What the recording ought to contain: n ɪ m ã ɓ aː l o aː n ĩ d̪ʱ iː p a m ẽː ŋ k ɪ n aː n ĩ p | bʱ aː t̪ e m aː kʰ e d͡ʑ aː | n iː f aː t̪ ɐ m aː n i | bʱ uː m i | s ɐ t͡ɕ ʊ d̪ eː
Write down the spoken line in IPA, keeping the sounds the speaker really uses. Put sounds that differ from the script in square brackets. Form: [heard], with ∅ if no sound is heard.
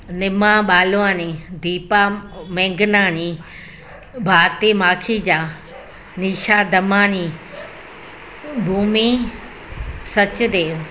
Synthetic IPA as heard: n ɪ m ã ɓ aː l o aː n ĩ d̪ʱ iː p a m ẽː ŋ [ɡ] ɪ n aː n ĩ [∅] | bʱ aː t̪ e m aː kʰ [i] d͡ʑ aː | n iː [ʃ] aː [d̪] ɐ m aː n i | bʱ uː m i | s ɐ t͡ɕ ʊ d̪ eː